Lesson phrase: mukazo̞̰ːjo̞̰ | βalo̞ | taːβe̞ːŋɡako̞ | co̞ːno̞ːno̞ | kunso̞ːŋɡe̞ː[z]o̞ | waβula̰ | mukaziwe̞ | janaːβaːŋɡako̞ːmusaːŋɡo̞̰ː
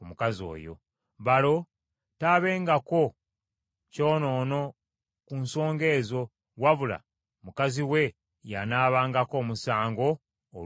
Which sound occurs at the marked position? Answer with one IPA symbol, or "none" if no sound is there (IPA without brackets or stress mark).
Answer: z